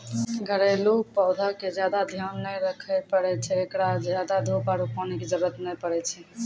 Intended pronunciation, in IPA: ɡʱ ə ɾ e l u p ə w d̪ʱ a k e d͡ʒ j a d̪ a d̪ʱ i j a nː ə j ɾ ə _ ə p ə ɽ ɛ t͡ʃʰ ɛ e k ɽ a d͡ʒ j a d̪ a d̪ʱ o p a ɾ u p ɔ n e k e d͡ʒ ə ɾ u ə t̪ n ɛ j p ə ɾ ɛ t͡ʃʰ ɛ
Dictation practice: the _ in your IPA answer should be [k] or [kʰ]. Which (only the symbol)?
kʰ